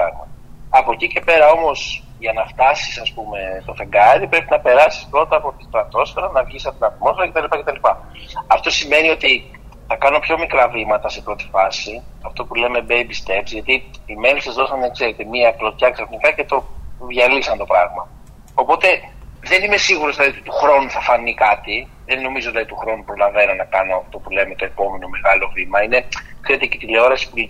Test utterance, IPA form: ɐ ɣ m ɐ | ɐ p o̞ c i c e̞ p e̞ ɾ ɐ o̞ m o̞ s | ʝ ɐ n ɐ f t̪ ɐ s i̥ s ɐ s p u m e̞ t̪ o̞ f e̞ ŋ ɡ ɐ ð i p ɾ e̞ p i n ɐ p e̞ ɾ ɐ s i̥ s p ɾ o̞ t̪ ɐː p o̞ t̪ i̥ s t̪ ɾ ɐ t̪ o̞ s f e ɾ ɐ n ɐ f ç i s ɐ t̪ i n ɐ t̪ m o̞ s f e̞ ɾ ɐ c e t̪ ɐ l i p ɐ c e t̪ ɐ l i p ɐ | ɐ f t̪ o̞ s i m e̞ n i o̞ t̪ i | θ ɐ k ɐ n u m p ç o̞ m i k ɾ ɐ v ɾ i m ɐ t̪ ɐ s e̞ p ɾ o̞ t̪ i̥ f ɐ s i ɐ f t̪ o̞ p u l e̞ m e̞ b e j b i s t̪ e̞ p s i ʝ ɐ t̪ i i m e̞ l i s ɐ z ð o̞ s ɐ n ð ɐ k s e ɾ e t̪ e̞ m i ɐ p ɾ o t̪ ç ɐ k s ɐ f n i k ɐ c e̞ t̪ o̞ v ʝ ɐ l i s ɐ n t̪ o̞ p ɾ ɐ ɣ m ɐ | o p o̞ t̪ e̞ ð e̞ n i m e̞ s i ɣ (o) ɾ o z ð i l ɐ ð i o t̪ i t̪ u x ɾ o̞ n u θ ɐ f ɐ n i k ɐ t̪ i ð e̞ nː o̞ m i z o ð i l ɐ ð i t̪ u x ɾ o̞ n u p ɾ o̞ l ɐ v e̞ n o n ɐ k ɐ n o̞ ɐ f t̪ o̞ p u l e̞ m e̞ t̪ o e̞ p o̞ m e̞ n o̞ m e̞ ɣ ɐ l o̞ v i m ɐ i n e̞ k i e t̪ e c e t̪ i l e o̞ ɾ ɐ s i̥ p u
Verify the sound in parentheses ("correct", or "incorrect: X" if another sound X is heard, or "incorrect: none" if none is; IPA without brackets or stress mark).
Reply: incorrect: u